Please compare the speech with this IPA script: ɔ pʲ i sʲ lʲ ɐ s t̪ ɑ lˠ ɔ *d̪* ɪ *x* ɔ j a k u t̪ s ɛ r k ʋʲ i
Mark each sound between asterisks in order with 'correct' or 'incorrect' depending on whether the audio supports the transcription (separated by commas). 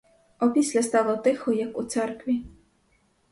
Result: incorrect, correct